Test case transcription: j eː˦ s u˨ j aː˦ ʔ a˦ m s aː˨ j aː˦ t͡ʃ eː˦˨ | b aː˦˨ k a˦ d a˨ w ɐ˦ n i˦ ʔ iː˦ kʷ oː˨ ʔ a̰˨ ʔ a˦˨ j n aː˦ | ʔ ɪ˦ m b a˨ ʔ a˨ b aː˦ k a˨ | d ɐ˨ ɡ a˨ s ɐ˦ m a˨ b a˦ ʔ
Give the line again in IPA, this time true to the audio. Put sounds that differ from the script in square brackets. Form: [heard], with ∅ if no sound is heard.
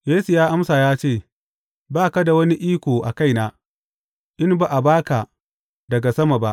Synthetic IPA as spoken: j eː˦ s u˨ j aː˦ ʔ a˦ m s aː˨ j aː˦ t͡ʃ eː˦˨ | b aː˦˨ k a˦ d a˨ w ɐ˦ n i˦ ʔ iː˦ kʷ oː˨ ʔ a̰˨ [k] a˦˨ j n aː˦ | ʔ ɪ˦ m b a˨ ʔ a˨ b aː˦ k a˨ | d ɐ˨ ɡ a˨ s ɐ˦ m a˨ b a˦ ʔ

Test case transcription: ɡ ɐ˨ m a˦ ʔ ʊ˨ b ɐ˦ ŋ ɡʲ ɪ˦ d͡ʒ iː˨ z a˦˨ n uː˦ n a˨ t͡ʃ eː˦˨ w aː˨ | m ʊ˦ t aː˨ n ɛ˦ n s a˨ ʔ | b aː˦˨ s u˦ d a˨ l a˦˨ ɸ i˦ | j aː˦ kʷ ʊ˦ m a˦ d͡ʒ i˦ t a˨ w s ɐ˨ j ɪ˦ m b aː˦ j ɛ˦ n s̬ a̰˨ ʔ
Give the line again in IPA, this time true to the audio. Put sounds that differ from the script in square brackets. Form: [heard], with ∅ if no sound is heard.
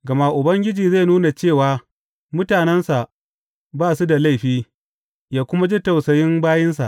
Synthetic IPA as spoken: ɡ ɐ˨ m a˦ ʔ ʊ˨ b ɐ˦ ŋ ɡʲ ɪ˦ d͡ʒ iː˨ z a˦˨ n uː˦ n a˨ t͡ʃ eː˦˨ w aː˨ | m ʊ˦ t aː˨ n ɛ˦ n s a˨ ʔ | b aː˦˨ s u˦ d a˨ l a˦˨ ɸ [iː˦] | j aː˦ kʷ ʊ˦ m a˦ d͡ʒ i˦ t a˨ w s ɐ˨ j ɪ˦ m b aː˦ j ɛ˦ n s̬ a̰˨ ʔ

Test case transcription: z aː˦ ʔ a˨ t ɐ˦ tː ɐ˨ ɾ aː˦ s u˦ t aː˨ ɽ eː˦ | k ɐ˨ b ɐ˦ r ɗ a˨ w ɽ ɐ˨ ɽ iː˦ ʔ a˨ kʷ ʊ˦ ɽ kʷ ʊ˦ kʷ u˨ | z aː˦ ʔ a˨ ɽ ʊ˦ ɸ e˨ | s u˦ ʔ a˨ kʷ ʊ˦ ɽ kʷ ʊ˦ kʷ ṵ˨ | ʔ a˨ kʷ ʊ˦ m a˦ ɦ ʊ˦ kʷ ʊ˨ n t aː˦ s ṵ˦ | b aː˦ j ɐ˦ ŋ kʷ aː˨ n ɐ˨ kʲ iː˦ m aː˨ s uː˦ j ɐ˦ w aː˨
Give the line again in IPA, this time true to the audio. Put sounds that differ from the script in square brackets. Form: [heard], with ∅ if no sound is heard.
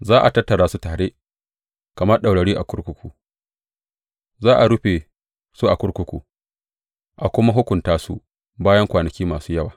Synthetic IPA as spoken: z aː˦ ʔ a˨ t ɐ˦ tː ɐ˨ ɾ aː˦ s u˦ t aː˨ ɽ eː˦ | k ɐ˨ [m] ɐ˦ r ɗ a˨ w ɽ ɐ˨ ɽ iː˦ ʔ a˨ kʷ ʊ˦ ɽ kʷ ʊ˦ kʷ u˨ | z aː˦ ʔ a˨ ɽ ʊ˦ ɸ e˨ | s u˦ ʔ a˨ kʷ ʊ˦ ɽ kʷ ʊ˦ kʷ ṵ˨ | ʔ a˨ kʷ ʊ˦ m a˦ ɦ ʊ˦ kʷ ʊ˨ n t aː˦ s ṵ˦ | b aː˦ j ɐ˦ ŋ kʷ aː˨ n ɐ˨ kʲ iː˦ m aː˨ s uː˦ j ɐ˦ w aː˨

